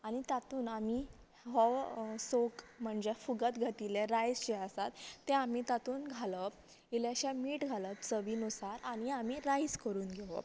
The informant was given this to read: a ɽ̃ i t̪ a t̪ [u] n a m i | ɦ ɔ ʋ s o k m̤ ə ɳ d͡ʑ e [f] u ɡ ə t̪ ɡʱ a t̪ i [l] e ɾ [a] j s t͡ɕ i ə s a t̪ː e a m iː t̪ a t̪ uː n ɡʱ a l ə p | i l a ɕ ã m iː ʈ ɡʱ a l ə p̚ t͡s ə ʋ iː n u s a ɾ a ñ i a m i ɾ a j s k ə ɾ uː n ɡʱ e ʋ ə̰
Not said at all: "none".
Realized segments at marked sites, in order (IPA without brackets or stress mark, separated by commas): uː, f, l, a